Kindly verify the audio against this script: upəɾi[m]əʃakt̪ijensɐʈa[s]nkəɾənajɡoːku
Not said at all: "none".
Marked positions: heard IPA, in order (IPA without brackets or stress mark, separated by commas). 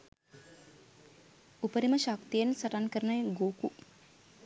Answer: m, none